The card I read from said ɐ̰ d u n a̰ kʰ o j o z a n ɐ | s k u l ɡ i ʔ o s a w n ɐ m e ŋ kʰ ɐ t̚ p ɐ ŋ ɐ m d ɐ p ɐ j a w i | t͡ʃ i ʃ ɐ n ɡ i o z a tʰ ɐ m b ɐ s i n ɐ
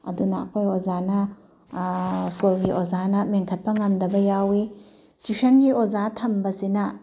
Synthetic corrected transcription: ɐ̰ d u n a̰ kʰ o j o z a n ɐ | s k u l ɡ i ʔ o z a n ɐ m e ŋ kʰ ɐ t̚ p ɐ ŋ ɐ m d ɐ b ɐ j a w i | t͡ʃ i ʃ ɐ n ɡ i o z a tʰ ɐ m b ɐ s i n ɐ